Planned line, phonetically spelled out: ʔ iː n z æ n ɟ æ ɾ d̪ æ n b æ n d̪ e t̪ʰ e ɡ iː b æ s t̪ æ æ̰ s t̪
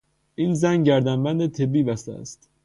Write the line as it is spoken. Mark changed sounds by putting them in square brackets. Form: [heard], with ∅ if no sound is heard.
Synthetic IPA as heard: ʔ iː n z æ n ɟ æ ɾ d̪ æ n b æ n d̪ e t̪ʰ e [b] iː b æ s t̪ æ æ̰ s t̪